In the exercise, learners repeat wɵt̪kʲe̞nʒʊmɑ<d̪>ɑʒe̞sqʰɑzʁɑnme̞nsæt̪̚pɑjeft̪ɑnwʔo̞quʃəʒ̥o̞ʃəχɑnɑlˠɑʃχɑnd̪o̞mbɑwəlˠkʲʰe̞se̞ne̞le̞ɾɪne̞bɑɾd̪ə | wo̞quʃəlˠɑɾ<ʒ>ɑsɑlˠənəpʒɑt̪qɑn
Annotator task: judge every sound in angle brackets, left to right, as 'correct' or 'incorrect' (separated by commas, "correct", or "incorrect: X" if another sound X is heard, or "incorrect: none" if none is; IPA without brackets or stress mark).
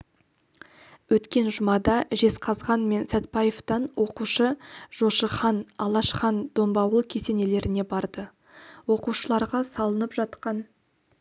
correct, incorrect: ʁ